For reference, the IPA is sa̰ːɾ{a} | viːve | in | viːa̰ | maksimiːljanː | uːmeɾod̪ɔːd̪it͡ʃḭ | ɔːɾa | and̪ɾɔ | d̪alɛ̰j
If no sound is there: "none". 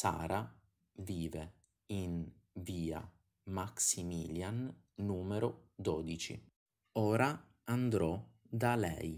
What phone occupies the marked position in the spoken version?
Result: a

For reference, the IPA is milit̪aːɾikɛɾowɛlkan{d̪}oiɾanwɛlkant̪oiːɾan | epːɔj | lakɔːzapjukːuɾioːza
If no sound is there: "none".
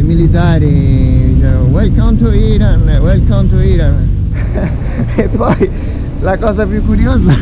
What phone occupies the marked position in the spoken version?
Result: t̪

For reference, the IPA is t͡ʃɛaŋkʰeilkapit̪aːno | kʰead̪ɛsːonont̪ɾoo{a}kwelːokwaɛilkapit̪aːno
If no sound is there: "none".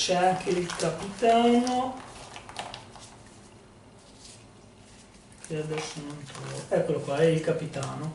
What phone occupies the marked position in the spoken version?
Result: ɛ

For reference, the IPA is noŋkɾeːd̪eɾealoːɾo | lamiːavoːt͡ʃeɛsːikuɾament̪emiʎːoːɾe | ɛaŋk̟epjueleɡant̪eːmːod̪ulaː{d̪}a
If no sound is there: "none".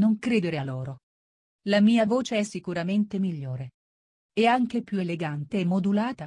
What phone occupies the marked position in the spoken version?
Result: t̪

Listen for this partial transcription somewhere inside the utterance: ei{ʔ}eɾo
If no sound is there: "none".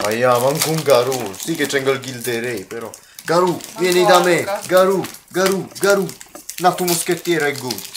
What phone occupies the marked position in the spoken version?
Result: p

